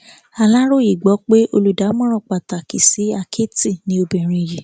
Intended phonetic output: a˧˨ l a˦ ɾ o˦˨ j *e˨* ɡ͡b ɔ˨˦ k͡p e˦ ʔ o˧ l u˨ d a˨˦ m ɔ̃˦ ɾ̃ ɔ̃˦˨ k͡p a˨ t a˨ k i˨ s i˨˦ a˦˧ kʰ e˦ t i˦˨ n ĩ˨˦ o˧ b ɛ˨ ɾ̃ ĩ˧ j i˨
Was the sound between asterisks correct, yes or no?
no